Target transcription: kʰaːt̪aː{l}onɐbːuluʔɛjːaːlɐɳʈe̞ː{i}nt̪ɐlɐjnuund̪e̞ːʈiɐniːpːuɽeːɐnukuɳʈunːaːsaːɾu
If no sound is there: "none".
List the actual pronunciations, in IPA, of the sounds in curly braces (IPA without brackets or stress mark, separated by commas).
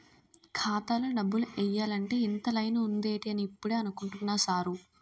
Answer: l, i